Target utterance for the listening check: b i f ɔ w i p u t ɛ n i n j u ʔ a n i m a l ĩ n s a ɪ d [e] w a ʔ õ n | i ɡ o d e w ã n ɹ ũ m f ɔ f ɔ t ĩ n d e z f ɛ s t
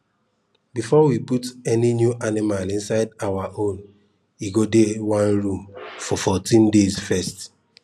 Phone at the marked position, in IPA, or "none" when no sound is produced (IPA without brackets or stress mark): a